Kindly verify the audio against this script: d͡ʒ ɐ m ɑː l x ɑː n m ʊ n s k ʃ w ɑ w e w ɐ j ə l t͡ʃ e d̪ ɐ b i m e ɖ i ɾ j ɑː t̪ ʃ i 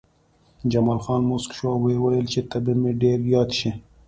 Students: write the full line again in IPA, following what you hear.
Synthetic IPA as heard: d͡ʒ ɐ m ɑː l x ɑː n m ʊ s k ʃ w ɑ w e w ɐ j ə l t͡ʃ e t̪ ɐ b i m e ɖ e ɾ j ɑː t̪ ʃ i